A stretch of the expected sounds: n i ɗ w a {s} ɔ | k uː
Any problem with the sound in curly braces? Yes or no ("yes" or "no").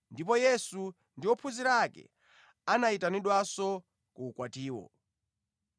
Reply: no